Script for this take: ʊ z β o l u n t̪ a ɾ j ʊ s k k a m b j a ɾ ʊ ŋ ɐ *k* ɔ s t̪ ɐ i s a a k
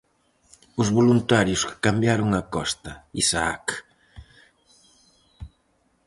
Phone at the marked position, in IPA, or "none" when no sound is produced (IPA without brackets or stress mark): k